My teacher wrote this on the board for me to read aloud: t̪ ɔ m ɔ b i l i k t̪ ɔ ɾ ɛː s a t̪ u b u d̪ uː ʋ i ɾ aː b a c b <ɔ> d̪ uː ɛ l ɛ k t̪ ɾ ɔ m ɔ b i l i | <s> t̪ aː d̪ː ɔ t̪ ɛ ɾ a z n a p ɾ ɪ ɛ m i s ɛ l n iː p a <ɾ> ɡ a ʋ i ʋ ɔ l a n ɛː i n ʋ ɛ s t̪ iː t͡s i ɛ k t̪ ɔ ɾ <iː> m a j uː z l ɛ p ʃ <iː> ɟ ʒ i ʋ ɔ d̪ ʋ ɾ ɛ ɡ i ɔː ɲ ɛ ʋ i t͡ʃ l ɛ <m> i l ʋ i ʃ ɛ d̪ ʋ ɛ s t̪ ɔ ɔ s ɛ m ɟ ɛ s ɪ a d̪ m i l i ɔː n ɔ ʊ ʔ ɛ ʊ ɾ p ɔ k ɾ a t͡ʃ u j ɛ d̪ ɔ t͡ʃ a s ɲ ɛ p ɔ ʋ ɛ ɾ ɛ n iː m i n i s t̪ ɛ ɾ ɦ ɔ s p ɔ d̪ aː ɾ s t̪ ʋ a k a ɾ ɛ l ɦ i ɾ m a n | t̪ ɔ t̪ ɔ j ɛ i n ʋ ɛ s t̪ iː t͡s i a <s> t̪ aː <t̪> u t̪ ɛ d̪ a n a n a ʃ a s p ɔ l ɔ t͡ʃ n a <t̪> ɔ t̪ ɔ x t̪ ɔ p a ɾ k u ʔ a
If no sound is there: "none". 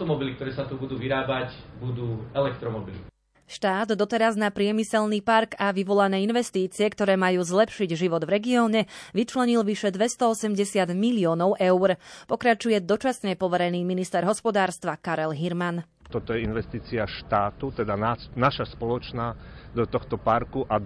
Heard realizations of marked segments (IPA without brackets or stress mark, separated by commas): u, ʃ, ɾ, ɛː, i, ɲ, ʃ, t̪, d̪